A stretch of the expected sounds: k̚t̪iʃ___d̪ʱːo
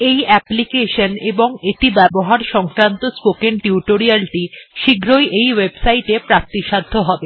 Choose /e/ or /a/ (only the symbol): a